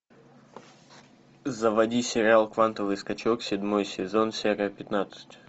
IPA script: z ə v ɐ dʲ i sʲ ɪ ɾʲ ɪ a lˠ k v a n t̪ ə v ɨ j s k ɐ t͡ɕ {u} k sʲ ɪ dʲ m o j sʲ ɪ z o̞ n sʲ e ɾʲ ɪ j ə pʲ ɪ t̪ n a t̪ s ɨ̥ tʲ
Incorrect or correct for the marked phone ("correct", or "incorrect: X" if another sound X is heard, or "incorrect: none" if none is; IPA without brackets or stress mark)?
incorrect: o